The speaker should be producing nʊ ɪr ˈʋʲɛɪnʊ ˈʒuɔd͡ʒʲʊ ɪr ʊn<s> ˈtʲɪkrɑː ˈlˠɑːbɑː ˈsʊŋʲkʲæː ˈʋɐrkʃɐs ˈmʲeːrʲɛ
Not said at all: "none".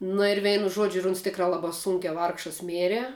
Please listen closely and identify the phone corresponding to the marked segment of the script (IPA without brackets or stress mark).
s